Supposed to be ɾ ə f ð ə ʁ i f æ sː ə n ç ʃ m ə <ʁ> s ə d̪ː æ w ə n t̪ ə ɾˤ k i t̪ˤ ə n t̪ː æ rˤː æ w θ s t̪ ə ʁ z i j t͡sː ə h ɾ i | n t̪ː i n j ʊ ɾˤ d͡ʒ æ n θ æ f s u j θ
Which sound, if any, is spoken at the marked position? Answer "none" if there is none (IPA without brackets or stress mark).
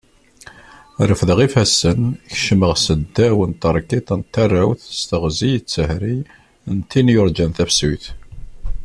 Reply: ʁ